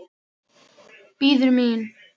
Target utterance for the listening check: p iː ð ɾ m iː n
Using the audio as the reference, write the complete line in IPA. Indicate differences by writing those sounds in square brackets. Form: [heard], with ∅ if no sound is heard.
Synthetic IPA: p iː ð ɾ m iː n